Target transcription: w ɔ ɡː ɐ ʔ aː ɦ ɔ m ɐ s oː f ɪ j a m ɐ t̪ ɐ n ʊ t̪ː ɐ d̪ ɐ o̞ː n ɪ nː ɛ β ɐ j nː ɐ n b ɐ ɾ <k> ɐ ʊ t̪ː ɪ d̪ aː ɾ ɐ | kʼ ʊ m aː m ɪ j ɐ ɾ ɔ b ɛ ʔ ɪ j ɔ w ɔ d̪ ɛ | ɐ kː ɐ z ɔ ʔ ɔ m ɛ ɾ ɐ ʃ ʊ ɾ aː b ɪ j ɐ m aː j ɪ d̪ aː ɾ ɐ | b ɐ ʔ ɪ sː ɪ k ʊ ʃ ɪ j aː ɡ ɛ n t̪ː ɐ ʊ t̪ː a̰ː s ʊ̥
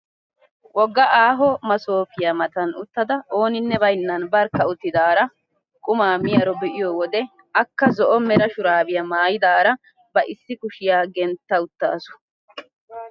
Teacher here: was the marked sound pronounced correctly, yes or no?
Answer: yes